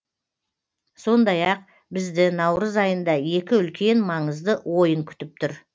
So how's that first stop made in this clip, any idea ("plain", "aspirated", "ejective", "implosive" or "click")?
plain